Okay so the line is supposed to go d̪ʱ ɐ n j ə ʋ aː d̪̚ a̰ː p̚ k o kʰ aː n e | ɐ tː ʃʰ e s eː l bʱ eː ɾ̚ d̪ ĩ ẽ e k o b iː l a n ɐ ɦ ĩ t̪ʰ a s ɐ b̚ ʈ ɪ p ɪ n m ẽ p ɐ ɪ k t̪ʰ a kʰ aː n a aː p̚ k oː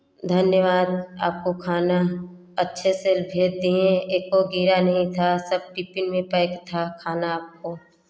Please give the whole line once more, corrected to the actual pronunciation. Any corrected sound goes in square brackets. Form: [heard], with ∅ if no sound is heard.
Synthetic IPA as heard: d̪ʱ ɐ n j ə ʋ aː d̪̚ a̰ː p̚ k o kʰ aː n [a] | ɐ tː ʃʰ e s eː l bʱ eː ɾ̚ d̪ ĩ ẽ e k o [ɡ] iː [ɾ] a n ɐ ɦ ĩ t̪ʰ a s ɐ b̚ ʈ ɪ p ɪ n m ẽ p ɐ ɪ k t̪ʰ a kʰ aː n a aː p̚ k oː